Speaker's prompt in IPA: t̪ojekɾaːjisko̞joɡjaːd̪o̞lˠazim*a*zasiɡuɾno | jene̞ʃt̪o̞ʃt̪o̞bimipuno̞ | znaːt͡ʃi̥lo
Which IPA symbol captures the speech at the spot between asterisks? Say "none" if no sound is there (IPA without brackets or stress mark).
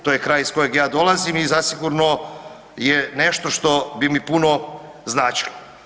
i